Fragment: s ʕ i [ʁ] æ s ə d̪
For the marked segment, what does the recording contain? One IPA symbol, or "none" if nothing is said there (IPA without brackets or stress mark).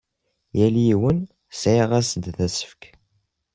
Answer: ʁ